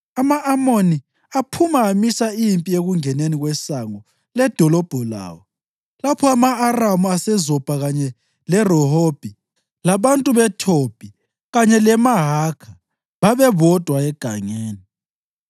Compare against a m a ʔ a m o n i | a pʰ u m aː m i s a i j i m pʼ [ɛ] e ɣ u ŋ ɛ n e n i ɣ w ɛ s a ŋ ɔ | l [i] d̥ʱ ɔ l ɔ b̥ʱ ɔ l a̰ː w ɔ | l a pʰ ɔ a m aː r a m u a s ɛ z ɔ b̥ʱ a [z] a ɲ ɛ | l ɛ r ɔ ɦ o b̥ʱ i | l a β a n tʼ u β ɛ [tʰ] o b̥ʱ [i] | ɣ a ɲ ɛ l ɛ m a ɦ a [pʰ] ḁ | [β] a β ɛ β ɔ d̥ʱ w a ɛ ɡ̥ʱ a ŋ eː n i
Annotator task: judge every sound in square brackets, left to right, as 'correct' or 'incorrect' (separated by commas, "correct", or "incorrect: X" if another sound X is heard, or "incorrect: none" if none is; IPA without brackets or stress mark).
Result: incorrect: i, incorrect: ɛ, incorrect: ɣ, correct, correct, incorrect: kʰ, correct